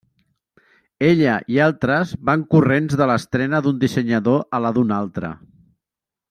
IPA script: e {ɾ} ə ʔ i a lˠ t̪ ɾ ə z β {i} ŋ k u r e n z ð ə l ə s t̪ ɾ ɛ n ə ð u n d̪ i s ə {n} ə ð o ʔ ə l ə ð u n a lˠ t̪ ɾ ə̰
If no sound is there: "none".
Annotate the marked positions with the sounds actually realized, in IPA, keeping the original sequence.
ʎ, a, ɲ

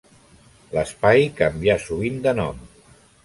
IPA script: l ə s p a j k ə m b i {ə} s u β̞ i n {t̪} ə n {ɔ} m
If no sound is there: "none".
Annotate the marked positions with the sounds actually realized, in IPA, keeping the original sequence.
a, d̪, ɔ

